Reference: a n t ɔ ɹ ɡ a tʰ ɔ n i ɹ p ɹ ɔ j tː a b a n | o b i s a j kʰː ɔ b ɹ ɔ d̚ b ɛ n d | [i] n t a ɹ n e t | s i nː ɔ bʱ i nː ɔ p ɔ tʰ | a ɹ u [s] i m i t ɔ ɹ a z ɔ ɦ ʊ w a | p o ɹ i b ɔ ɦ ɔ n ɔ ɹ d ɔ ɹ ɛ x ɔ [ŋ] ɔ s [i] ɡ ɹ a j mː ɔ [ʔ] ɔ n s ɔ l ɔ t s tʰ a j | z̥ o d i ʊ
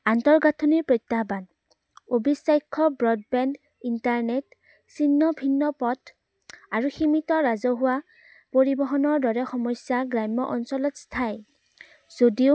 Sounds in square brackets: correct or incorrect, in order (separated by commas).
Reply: correct, incorrect, incorrect, incorrect, correct